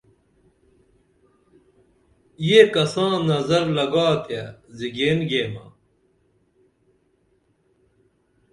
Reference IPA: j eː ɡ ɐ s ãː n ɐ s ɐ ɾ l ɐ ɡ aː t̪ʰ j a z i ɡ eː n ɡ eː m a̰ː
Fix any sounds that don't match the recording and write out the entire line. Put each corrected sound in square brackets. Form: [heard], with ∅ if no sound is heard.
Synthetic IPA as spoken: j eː [k] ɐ s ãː n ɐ [z] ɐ ɾ l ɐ ɡ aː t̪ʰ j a z i ɡ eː n ɡ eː m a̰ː